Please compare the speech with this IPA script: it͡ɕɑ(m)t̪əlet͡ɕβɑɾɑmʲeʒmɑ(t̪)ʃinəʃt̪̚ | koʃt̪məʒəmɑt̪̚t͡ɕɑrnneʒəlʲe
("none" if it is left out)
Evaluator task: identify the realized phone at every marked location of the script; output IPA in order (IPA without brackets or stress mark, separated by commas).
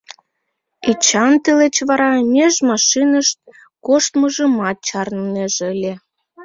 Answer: n, none